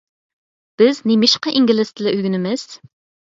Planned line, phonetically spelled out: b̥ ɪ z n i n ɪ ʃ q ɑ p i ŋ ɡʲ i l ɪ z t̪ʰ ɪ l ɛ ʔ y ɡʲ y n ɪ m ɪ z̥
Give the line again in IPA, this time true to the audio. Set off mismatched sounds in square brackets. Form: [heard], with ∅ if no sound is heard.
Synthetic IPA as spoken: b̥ ɪ z n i [m] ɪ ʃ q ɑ [ʔ] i ŋ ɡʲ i l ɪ [s] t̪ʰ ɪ l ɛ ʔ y ɡʲ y n ɪ m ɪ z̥